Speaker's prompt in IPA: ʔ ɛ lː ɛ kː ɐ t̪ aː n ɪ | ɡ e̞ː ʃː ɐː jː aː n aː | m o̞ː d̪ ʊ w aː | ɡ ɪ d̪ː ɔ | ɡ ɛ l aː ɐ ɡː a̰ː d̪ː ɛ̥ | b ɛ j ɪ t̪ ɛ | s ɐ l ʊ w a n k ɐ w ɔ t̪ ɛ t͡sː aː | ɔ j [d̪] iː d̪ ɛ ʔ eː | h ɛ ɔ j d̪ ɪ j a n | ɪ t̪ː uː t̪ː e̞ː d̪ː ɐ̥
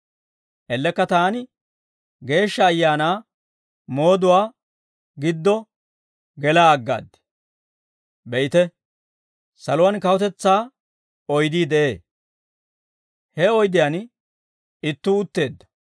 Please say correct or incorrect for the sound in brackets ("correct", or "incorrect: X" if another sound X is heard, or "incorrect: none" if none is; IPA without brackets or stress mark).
correct